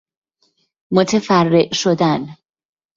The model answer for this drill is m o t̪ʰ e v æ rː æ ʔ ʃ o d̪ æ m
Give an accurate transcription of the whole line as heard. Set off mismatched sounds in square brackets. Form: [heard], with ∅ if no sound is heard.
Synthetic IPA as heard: m o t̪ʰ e [f] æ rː [e] ʔ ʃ o d̪ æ [n]